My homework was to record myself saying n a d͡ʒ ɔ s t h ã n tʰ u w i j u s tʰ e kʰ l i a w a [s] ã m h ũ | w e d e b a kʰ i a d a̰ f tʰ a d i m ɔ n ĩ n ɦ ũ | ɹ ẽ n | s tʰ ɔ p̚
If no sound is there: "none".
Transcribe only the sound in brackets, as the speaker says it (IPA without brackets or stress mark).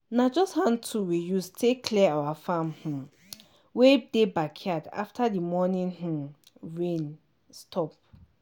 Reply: f